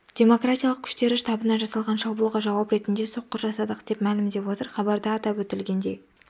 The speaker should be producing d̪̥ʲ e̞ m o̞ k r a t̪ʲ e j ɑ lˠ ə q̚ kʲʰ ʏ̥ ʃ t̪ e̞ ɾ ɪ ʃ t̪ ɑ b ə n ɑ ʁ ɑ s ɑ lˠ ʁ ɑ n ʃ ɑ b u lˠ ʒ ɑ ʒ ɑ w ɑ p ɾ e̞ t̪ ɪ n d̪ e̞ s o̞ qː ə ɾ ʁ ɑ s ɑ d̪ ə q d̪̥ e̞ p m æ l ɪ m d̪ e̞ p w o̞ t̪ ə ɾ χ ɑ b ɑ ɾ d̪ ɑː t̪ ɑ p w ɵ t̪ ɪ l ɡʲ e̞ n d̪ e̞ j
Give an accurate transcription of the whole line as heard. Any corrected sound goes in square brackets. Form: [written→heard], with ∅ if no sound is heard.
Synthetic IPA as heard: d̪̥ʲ e̞ m o̞ k r a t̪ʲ [e→i] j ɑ lˠ ə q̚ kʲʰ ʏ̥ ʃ t̪ e̞ ɾ ɪ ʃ t̪ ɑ b ə n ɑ [ʁ→ʒ] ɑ s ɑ lˠ ʁ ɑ n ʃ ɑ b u lˠ [ʒ→ʁ] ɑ ʒ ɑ w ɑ p ɾ e̞ t̪ ɪ n d̪ e̞ s o̞ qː ə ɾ [ʁ→ʒ] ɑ s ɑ d̪ ə q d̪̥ e̞ p m æ l ɪ m d̪ e̞ p w o̞ t̪ ə ɾ χ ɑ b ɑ ɾ d̪ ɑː t̪ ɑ p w ɵ t̪ ɪ l ɡʲ e̞ n d̪ e̞ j